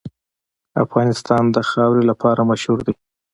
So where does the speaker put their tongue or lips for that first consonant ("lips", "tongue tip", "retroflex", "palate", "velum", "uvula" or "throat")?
lips